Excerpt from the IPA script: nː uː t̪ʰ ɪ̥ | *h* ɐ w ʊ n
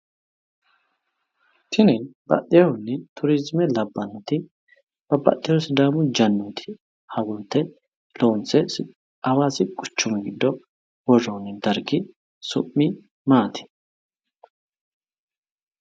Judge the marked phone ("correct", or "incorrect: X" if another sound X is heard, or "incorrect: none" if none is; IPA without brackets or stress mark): correct